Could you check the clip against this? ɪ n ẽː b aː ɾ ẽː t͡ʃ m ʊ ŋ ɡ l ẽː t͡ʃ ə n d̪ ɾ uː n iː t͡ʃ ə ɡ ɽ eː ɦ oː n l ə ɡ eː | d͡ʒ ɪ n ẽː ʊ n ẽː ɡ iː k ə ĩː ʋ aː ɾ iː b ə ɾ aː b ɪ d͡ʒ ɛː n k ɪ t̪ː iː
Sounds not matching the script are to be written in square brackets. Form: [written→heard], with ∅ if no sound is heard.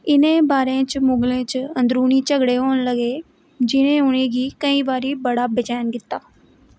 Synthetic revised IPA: ɪ n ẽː b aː ɾ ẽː t͡ʃ m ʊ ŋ ɡ l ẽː t͡ʃ ə n d̪ ɾ uː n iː t͡ʃ ə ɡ ɽ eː ɦ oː n l ə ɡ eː | d͡ʒ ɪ n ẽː ʊ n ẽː ɡ iː k ə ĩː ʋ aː ɾ iː b ə [ɾ→ɽ] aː b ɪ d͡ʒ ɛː n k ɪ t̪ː [iː→aː]